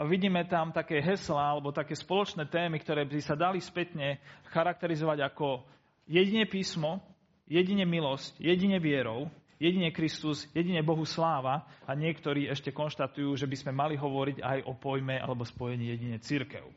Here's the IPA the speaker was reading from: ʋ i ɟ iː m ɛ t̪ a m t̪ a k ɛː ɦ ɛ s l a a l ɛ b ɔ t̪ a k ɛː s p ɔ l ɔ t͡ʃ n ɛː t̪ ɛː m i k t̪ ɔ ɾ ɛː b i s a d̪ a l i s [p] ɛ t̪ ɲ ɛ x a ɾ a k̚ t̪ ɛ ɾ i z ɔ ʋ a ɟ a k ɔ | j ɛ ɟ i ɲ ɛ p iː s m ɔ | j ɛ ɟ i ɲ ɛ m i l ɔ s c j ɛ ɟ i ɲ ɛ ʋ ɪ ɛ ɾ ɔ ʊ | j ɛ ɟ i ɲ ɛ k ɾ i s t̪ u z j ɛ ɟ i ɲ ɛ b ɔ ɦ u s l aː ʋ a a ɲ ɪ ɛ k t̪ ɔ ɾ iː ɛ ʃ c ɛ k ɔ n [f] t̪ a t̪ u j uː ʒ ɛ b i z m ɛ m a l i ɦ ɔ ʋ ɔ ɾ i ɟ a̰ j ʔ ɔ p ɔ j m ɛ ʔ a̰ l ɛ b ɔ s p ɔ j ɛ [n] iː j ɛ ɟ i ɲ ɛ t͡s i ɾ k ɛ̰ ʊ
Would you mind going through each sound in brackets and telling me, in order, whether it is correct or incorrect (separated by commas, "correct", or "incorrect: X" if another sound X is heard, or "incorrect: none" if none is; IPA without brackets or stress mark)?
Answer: correct, incorrect: ʃ, incorrect: ɲ